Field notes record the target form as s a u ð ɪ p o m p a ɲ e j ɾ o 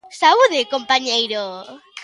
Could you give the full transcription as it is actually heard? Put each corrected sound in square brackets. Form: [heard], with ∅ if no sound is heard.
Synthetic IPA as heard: s a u ð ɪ [k] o m p a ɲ e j ɾ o